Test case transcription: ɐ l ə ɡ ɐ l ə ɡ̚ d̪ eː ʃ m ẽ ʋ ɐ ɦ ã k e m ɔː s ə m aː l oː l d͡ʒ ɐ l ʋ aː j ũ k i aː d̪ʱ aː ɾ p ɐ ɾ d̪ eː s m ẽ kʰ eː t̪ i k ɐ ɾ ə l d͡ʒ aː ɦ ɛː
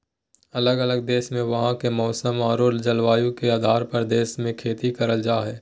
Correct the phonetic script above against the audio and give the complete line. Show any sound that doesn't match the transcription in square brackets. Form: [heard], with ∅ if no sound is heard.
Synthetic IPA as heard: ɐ l ə ɡ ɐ l ə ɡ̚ d̪ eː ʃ m ẽ ʋ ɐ ɦ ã k e m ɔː s ə m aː [ɾ] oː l d͡ʒ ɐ l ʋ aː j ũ k [e] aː d̪ʱ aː ɾ p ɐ ɾ d̪ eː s m ẽ kʰ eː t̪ i k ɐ ɾ ə l d͡ʒ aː ɦ ɛː